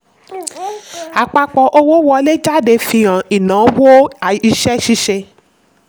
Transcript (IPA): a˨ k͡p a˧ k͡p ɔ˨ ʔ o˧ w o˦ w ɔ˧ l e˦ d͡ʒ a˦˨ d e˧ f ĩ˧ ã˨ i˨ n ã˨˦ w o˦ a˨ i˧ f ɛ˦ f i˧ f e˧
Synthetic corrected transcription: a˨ k͡p a˧ k͡p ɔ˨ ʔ o˧ w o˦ w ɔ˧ l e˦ d͡ʒ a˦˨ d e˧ f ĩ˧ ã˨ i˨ n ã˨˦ w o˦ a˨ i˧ ʃ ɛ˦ ʃ i˧ ʃ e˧

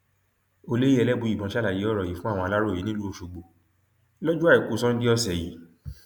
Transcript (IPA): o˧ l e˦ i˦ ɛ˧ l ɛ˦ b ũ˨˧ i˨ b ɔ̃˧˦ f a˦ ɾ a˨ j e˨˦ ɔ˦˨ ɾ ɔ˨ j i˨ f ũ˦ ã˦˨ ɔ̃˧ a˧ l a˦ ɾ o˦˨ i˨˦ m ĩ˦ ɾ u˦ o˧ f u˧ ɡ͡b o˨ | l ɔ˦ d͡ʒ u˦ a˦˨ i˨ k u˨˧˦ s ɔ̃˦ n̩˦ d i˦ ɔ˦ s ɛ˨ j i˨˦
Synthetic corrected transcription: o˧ l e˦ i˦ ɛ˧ l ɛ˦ b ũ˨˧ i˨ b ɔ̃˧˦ ʃ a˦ l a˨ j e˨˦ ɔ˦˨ ɾ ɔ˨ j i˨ f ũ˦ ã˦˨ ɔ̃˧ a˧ l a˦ ɾ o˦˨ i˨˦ n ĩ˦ l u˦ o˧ ʃ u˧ ɡ͡b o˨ | l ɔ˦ d͡ʒ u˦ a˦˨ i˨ k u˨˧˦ s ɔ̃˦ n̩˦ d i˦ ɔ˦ s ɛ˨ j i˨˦

